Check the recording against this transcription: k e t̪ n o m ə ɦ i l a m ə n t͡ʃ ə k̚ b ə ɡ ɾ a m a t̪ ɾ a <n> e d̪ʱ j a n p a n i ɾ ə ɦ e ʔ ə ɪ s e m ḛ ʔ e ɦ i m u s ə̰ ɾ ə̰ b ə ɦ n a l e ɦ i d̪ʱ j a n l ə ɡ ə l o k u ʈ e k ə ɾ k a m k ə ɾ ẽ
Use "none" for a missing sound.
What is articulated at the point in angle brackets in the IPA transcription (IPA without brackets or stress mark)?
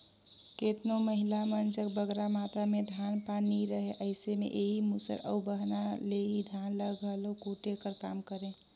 m